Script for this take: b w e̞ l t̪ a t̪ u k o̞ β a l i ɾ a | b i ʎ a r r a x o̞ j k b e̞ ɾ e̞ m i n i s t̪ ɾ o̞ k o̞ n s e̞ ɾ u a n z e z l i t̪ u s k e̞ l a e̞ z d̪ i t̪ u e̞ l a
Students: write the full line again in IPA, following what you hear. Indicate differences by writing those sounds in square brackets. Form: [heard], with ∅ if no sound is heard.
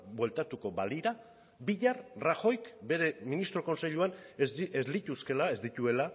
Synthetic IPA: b w e̞ l t̪ a t̪ u k o̞ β a l i ɾ a | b i ʎ a r r a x o̞ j k b e̞ ɾ e̞ m i n i s t̪ ɾ o̞ k o̞ n s e̞ [ʎ] u a n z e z l i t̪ u s k e̞ l a e̞ z d̪ i t̪ u e̞ l a